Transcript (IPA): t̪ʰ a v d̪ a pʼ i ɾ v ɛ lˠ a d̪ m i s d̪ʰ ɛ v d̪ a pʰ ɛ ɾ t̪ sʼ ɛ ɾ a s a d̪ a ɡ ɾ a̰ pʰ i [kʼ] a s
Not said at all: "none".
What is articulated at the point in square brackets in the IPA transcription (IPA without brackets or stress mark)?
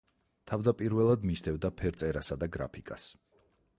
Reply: kʼ